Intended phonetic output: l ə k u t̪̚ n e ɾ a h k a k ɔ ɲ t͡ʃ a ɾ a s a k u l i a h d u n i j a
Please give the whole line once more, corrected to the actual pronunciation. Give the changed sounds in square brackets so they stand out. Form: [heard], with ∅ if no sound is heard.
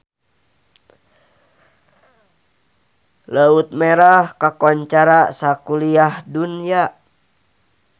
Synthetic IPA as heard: l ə [∅] u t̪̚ [m] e ɾ a h k a k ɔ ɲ t͡ʃ a ɾ a s a k u l i a h d u n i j a